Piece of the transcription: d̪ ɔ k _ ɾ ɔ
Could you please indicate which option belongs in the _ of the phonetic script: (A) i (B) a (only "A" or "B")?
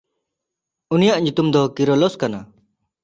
A